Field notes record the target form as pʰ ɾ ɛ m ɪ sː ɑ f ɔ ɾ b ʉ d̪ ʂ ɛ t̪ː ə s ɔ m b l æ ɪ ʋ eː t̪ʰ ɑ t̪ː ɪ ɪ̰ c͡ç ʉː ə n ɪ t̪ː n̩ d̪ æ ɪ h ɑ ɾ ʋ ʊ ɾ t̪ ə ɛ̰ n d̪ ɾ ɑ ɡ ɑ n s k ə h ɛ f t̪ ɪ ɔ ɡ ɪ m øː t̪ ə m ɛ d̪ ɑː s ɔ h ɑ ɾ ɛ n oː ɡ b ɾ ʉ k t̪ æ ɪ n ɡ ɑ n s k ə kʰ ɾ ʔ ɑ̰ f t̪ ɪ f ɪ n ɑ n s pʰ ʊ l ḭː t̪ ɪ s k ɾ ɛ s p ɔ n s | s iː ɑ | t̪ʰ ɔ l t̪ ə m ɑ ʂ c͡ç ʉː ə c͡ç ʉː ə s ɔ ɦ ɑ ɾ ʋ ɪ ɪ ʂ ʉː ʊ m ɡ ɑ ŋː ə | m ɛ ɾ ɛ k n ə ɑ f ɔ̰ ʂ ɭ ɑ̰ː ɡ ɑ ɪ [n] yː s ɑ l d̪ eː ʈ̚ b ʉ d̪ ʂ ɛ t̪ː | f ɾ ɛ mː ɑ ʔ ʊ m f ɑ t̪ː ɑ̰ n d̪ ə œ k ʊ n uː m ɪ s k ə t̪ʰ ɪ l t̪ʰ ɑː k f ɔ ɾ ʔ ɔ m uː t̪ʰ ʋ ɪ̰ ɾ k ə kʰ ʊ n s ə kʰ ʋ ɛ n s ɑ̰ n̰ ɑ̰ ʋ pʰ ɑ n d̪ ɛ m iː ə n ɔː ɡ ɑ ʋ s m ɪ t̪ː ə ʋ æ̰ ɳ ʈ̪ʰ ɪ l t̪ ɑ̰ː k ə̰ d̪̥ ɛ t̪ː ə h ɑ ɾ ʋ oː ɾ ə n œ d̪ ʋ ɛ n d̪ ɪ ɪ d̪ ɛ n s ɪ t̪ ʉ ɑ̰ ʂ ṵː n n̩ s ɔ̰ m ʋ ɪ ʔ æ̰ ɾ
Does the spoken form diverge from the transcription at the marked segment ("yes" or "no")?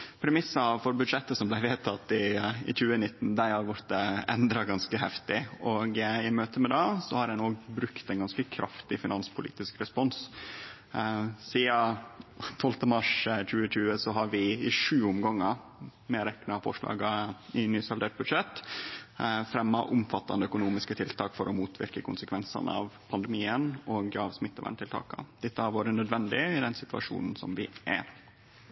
no